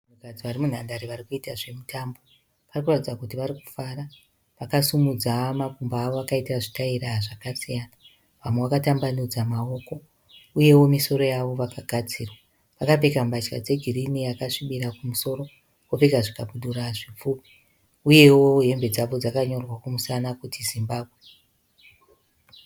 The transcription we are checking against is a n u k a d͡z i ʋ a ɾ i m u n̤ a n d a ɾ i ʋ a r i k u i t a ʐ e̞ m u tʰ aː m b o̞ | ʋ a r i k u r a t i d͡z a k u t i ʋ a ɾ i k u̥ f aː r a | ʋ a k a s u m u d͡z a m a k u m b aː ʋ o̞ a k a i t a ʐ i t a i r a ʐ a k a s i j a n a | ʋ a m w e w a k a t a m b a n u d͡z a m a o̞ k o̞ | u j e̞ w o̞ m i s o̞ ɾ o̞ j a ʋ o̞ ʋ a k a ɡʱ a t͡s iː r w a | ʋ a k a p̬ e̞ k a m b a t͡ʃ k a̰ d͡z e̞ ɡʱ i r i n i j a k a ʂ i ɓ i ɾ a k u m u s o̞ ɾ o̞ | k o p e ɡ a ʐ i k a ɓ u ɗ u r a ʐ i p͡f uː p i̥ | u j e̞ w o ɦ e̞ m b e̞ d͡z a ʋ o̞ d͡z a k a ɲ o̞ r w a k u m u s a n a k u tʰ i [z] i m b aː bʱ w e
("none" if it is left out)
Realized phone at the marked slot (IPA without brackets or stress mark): z